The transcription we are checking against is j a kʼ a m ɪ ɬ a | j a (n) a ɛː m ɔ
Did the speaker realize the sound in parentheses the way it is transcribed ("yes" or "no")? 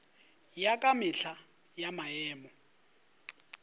no